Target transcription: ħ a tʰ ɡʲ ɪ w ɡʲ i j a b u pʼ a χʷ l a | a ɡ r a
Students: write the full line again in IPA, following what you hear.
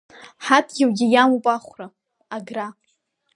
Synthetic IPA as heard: ħ a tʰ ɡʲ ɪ w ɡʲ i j a m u pʼ a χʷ r a | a ɡ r a